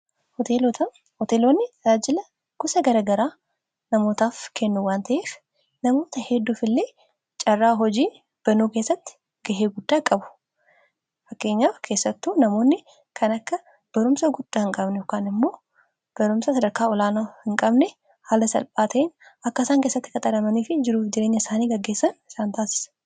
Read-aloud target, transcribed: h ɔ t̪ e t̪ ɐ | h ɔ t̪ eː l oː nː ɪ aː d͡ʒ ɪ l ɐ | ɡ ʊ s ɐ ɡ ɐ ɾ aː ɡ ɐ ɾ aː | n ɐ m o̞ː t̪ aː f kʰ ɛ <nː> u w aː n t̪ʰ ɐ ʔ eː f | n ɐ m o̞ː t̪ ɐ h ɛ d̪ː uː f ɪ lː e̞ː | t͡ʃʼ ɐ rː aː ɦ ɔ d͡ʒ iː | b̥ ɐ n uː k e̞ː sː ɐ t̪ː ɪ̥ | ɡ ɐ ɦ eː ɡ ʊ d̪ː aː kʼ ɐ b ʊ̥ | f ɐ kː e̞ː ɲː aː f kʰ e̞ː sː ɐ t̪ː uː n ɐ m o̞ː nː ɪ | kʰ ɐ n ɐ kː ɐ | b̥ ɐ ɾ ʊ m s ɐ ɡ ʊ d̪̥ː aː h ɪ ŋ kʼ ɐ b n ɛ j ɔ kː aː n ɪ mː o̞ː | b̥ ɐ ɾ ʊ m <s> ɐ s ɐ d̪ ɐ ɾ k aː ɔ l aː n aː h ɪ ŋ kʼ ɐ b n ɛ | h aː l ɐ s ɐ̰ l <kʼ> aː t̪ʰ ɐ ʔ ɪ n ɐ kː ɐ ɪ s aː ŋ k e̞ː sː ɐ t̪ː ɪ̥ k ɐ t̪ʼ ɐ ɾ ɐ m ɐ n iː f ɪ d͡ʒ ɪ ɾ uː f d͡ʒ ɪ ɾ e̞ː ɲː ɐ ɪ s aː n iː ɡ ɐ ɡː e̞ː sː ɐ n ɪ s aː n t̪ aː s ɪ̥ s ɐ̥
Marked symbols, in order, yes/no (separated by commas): yes, yes, no